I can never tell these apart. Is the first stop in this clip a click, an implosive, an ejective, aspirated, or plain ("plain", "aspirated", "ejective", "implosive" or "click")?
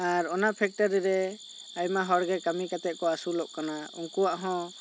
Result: aspirated